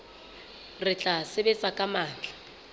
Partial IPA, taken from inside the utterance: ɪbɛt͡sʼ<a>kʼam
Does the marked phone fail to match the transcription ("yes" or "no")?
no